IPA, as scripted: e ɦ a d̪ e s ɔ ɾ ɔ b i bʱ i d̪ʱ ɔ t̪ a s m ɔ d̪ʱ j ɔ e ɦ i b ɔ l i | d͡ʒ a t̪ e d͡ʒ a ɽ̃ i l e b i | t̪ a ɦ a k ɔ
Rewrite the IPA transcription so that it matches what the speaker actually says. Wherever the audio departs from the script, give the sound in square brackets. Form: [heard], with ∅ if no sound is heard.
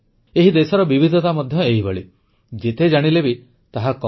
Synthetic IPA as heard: e ɦ [i] d̪ e s ɔ ɾ ɔ b i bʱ i d̪ʱ ɔ t̪ a [∅] m ɔ d̪ʱ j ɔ e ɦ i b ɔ [ɭ] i | d͡ʒ [e] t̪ e d͡ʒ a ɽ̃ i l e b i | t̪ a ɦ a k ɔ